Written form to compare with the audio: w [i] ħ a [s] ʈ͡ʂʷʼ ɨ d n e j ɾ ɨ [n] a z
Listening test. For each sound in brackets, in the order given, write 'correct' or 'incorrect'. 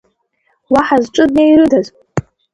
incorrect: a, incorrect: z, incorrect: d

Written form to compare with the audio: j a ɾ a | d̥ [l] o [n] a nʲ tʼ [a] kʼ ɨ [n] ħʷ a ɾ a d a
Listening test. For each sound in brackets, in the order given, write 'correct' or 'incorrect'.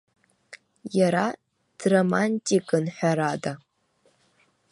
incorrect: r, incorrect: m, incorrect: i, correct

